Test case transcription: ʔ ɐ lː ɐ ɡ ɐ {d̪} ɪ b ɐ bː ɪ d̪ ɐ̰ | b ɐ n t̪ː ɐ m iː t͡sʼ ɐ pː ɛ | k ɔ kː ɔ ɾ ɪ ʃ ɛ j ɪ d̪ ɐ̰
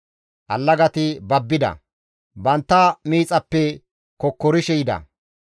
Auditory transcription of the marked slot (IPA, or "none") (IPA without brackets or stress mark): t̪